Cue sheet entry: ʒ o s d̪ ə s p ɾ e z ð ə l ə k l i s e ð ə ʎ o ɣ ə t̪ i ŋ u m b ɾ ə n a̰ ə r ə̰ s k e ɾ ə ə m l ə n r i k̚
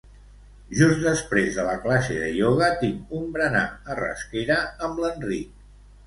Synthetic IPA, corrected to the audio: ʒ u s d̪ ə s p ɾ e z ð ə l ə k l a s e ð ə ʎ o ɣ ə t̪ i ŋ u m b ɾ ə n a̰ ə r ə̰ s k e ɾ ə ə m l ə n r i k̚